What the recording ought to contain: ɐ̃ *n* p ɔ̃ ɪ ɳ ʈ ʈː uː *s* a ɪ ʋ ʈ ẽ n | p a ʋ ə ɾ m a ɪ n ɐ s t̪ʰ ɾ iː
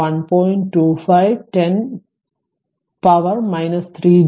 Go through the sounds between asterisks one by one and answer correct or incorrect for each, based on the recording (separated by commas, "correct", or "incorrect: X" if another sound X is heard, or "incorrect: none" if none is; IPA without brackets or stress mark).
correct, incorrect: f